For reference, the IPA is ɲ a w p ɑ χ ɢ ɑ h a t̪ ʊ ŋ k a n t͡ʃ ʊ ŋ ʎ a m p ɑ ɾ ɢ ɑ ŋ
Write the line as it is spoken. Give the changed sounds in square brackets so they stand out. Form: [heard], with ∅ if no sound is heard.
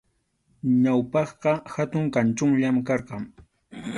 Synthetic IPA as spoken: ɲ a w p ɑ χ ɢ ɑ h a t̪ ʊ ŋ k a n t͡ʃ ʊ ŋ ʎ a m [k] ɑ ɾ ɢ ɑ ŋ